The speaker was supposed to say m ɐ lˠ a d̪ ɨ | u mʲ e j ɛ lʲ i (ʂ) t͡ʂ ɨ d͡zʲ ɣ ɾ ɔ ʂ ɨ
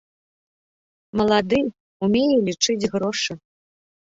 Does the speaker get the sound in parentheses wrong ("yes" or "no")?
yes